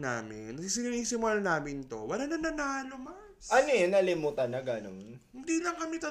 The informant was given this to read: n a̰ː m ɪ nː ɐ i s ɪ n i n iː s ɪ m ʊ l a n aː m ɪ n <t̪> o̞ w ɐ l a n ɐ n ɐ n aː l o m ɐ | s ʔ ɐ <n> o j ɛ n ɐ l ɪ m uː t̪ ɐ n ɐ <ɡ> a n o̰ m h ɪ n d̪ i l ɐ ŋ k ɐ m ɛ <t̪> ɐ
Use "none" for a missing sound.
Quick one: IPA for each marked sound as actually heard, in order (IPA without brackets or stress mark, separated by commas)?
t̪, n, ɡ, t̪